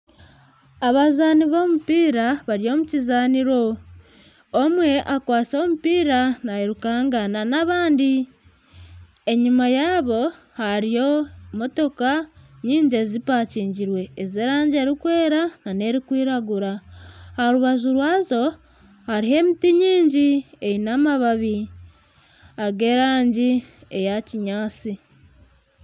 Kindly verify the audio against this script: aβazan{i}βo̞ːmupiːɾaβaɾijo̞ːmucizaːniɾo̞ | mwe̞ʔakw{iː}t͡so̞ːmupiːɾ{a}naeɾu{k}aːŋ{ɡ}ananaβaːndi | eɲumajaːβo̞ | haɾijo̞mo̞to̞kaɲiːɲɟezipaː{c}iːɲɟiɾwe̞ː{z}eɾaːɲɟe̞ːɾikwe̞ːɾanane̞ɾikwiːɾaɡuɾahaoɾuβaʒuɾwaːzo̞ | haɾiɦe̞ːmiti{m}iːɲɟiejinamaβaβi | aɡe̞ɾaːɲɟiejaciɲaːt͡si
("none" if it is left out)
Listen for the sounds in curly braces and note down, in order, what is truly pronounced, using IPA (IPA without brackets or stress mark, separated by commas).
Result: i, aː, a, k, ɡ, c, z, ɲ